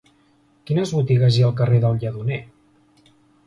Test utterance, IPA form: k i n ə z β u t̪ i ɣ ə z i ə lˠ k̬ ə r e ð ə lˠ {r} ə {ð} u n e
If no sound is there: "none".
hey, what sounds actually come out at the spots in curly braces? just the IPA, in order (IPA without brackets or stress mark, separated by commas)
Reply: ʎ, ð